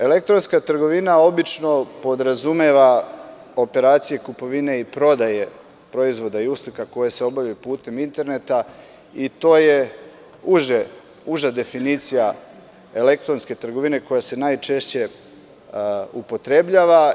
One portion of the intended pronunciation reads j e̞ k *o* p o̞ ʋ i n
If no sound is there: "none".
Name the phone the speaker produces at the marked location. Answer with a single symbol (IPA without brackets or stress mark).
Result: u